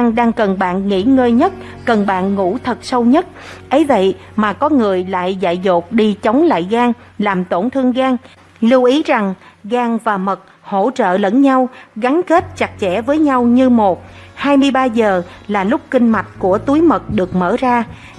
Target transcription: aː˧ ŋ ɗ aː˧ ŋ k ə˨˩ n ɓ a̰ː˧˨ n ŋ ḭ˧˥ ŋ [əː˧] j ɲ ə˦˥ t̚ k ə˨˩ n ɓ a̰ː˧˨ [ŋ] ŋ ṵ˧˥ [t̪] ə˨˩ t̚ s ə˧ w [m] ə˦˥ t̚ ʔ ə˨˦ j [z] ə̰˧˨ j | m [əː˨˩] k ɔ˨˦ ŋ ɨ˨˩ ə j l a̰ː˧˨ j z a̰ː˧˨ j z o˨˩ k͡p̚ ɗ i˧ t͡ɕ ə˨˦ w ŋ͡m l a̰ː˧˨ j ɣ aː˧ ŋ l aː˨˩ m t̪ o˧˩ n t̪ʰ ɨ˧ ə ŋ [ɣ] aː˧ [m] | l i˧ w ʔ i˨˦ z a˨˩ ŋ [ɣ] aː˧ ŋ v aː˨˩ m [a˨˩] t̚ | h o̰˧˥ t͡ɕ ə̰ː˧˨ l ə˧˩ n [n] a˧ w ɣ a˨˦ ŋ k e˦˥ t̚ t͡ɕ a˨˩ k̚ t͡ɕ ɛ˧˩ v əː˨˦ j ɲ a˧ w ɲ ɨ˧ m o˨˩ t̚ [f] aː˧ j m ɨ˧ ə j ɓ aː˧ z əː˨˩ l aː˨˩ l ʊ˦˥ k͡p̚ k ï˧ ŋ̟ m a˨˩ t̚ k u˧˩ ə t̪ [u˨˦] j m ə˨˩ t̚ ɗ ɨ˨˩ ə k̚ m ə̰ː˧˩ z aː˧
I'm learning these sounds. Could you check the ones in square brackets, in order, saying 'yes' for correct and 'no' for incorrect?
yes, no, no, no, no, no, yes, no, yes, no, no, no, yes

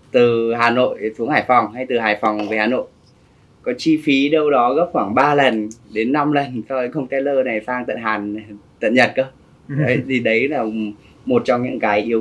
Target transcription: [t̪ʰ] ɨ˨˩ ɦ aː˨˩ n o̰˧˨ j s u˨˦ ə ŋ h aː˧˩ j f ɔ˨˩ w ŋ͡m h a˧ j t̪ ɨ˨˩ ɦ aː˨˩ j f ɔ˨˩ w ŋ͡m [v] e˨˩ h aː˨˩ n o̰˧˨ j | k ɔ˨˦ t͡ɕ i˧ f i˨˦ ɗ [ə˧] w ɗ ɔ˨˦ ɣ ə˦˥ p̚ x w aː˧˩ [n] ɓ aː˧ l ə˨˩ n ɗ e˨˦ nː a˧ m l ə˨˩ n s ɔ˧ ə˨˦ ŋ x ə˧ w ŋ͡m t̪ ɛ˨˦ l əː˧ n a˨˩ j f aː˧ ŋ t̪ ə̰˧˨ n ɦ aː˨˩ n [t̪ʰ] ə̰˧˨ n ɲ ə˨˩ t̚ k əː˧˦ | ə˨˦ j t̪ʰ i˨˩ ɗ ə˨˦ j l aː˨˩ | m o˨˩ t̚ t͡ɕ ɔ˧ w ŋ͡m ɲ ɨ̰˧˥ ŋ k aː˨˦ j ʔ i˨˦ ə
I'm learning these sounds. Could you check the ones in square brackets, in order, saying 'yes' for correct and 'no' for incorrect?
no, yes, yes, no, no

